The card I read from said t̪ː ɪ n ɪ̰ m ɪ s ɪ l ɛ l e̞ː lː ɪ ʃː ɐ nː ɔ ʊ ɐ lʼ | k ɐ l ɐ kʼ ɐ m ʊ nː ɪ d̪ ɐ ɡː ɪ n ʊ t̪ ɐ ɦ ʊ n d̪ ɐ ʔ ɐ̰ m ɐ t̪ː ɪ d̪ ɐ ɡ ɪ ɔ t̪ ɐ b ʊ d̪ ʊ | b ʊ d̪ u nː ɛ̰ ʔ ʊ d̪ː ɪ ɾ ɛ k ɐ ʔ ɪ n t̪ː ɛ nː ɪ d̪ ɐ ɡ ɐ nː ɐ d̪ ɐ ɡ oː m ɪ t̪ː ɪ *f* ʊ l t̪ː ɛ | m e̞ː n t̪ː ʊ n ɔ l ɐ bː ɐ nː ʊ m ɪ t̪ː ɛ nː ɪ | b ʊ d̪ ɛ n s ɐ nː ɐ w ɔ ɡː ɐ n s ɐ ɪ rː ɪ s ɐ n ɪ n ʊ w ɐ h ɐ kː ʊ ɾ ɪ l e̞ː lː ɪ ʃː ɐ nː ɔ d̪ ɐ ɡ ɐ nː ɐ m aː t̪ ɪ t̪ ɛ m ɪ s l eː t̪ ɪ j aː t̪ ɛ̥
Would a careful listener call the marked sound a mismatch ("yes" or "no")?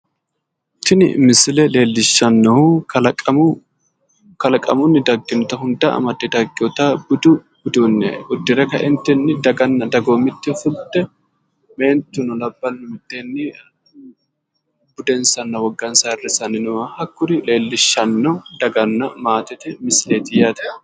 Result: no